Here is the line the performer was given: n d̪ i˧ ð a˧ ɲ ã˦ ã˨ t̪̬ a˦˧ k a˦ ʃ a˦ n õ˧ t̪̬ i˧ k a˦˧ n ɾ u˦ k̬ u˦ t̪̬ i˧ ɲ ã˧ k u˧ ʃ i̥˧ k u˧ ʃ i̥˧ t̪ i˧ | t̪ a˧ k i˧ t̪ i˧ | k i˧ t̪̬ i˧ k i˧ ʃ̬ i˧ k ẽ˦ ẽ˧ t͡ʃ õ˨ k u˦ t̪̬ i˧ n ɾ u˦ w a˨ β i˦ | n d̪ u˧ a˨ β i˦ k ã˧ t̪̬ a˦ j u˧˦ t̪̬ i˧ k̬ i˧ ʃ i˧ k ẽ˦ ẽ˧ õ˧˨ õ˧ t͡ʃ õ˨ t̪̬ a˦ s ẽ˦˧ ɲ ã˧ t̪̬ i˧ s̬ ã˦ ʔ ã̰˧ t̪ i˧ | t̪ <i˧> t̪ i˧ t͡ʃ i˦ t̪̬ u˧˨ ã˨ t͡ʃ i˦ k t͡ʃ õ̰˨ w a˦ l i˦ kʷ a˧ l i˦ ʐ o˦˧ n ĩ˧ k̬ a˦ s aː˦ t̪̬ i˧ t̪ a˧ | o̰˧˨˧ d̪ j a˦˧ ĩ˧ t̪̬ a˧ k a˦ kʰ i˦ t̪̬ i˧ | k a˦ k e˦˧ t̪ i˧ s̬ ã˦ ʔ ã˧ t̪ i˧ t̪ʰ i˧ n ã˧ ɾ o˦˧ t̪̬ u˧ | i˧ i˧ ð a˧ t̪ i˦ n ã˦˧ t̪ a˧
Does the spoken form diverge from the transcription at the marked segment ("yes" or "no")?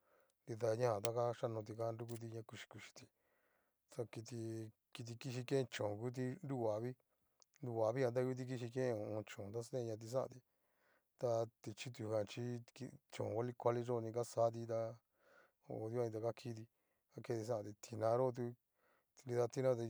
yes